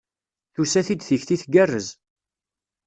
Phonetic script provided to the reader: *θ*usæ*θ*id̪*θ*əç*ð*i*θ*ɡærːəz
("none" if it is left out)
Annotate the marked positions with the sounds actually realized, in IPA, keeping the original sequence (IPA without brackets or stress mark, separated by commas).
θ, θ, θ, θ, θ